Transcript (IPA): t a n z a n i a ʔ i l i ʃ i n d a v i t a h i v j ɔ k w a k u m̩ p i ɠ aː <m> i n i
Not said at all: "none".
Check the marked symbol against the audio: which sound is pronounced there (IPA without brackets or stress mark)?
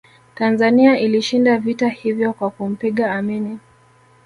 m